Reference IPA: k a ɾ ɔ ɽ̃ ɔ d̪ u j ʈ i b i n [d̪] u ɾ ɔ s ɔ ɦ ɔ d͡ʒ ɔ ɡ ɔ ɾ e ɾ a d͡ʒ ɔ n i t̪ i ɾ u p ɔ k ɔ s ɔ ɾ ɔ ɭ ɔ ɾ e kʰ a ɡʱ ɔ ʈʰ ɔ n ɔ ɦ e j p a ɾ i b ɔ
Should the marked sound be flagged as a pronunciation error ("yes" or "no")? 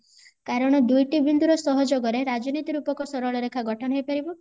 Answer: no